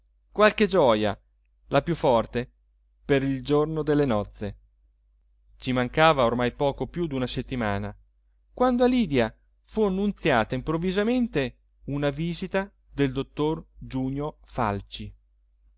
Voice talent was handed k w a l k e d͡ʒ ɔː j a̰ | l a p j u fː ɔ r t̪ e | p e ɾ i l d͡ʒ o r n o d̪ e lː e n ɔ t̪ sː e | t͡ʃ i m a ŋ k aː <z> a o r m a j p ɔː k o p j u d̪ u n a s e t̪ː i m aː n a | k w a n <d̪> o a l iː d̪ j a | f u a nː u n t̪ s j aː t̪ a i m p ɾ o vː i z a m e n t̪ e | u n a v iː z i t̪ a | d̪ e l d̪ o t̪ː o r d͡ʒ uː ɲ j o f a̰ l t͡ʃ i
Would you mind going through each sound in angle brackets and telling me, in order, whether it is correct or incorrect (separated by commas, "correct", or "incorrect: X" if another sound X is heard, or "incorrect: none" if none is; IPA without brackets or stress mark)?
incorrect: v, correct